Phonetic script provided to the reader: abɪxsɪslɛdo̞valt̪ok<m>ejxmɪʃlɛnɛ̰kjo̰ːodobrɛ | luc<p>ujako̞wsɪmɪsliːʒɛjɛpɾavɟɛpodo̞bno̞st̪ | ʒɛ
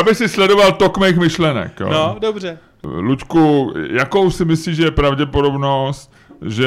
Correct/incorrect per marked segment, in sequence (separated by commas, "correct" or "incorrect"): correct, incorrect